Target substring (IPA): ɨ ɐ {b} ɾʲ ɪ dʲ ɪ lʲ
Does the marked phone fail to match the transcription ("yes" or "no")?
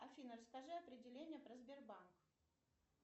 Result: yes